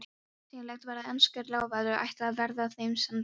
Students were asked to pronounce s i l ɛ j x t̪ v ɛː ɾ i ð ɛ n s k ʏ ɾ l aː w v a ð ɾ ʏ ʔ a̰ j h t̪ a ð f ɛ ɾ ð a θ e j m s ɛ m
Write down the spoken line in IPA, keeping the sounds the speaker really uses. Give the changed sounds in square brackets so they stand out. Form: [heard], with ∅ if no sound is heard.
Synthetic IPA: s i l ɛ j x t̪ v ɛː ɾ [a] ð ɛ n s k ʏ ɾ l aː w v a ð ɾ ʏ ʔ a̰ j h t̪ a ð [v] ɛ ɾ ð a θ e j m s ɛ m